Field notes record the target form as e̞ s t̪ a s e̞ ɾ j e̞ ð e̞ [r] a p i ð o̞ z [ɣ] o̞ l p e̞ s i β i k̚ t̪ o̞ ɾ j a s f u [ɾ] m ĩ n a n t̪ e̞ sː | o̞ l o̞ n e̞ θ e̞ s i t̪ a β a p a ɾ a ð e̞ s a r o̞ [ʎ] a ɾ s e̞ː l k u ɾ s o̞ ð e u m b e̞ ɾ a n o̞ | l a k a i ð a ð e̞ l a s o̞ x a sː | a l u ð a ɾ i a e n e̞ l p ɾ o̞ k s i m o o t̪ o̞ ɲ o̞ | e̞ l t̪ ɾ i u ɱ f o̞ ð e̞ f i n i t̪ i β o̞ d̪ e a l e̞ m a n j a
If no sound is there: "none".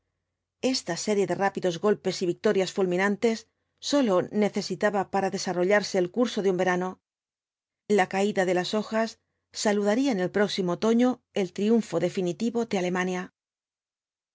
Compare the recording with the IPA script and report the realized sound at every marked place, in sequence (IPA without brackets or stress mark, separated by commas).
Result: r, ɣ, l, ʎ